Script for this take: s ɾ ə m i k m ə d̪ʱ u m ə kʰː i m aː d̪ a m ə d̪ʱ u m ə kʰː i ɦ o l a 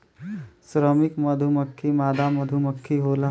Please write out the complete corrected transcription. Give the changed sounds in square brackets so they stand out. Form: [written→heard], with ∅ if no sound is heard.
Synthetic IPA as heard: s ɾ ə m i k m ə d̪ʱ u m ə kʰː i m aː d̪ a m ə d̪ʱ u m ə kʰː i ɦ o l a